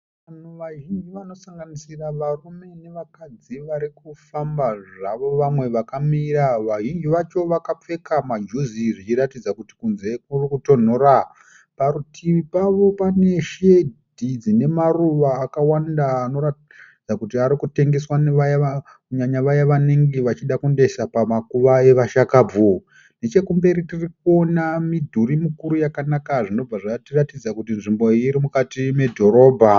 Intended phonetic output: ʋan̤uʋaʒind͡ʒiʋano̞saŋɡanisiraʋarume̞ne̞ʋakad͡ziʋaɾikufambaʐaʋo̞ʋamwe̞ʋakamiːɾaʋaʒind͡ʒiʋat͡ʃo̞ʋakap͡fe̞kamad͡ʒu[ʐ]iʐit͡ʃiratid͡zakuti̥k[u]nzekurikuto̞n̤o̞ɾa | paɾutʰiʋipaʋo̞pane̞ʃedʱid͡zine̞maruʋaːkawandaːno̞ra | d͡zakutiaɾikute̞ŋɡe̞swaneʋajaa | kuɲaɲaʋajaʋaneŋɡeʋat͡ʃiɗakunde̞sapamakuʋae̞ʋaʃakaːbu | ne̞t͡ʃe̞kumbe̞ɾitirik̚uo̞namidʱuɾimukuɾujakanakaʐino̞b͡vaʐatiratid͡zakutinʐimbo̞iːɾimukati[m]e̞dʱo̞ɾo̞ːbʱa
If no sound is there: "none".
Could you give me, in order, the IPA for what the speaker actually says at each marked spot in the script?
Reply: z, u, m

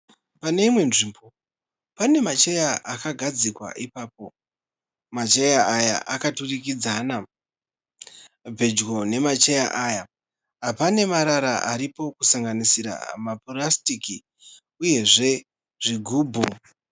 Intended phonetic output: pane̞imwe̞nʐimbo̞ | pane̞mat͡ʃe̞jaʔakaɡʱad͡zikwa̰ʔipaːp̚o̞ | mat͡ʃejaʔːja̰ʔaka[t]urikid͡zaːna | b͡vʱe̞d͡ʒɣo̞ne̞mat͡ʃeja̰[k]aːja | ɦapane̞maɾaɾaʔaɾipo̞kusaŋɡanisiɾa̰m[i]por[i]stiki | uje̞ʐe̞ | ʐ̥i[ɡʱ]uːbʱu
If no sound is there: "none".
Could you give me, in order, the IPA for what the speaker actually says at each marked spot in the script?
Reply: t, ʔ, a, a, ɡʱ

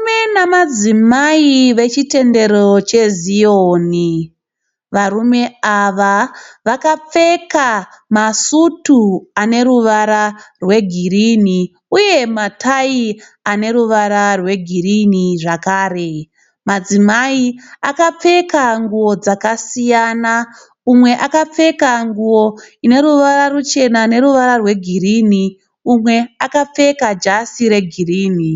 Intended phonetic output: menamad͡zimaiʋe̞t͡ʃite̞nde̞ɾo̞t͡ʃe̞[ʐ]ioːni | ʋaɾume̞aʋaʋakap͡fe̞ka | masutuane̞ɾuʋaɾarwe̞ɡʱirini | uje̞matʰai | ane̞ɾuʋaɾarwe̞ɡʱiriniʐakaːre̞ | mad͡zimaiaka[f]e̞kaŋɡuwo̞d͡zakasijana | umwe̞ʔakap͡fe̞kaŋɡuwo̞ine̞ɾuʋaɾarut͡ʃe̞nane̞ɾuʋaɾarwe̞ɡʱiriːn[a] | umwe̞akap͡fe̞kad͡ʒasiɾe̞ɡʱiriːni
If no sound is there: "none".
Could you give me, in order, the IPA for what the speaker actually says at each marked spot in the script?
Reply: z, p͡f, i

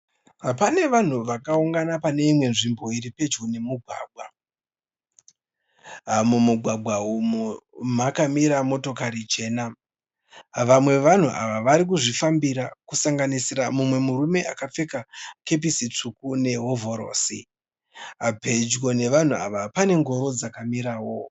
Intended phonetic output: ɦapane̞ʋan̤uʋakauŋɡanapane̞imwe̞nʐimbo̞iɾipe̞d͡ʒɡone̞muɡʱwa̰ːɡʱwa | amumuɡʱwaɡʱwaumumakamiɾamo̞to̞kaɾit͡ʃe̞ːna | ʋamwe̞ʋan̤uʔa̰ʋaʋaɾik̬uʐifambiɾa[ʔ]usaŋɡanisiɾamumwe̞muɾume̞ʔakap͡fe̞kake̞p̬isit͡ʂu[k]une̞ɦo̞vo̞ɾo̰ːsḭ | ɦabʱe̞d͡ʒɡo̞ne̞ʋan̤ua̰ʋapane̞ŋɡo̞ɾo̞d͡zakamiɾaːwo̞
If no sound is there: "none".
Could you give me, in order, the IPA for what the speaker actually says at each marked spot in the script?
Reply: k, k

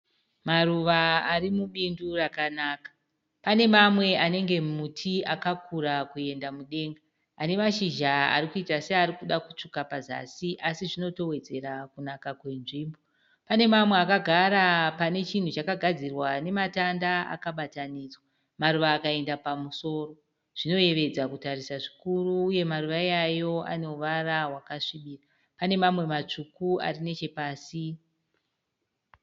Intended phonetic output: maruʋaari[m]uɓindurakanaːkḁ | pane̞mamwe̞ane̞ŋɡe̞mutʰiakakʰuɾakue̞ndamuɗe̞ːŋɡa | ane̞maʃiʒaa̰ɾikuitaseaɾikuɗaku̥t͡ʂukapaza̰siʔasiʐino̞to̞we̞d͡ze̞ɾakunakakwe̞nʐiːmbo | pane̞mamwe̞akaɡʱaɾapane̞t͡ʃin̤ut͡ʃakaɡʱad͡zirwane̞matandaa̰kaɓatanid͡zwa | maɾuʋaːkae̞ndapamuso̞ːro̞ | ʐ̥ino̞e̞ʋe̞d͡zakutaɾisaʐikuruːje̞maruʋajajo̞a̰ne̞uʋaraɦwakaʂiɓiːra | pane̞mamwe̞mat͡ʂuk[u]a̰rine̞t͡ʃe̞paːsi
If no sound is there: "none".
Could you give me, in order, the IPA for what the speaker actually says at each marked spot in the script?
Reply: m, u

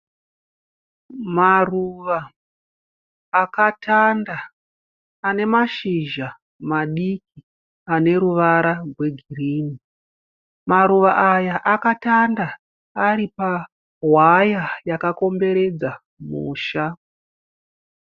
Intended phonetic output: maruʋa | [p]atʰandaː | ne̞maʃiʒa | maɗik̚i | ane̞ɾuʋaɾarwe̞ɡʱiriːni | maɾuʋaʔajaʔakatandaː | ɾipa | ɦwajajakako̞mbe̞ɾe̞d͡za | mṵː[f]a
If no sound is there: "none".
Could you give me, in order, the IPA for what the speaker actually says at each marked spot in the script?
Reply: k, ʃ

